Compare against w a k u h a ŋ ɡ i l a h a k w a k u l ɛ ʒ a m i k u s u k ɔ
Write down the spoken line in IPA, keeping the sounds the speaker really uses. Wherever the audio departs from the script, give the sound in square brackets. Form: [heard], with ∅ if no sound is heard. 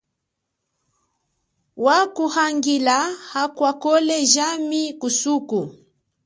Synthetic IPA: w a k u h a ŋ ɡ i l a h a k w a k [ɔ] l ɛ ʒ a m i k u s u k [u]